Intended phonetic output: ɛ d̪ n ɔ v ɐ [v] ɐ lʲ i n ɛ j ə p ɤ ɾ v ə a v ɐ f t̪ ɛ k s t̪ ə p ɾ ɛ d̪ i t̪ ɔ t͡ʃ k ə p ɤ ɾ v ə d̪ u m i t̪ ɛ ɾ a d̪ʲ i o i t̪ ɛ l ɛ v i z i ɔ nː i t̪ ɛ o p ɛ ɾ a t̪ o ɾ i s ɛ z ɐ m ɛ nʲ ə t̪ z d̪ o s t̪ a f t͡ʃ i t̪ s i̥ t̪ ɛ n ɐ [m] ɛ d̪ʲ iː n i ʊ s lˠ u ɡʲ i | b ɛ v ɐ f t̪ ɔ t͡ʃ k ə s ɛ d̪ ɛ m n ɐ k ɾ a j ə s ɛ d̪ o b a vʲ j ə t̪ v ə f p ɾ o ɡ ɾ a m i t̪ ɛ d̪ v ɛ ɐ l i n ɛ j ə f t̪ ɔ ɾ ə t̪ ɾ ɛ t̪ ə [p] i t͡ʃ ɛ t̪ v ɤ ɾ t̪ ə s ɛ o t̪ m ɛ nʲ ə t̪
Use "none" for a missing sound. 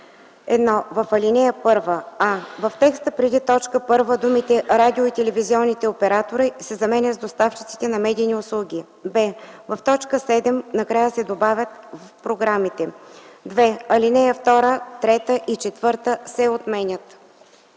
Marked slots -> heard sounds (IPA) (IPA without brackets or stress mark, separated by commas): f, m, ʔ